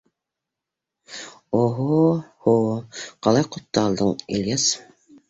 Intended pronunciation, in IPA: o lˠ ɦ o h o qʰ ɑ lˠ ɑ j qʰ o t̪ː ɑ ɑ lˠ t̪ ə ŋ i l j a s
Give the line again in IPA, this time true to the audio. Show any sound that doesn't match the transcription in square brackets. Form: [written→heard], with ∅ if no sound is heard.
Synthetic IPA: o [lˠ→∅] ɦ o h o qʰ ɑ lˠ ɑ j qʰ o t̪ː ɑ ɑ lˠ [t̪→d̪] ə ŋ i l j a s